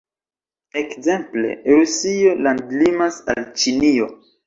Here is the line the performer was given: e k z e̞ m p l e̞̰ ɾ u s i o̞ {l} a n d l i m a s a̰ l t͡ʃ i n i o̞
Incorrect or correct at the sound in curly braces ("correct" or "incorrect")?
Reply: correct